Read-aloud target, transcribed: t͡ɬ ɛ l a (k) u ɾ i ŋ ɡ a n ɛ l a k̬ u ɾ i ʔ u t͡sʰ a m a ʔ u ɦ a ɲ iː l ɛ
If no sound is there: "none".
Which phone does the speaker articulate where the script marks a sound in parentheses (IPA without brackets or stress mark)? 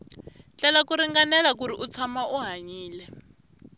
k